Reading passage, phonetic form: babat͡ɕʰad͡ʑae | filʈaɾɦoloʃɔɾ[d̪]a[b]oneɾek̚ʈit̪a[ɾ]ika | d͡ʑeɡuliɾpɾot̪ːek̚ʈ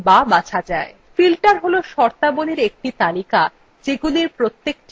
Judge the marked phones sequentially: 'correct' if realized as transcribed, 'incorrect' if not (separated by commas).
incorrect, correct, incorrect